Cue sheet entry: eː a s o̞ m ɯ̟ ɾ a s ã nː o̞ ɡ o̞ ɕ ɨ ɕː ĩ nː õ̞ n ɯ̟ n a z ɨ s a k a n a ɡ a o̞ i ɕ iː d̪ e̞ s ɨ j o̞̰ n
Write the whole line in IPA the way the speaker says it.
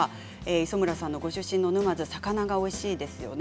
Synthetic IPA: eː i s o̞ m ɯ̟ ɾ a s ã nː o̞ ɡ o̞ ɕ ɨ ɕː ĩ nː o̞ n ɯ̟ m a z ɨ s a k a n a ɡ a o̞ i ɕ iː d̪ e̞ s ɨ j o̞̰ n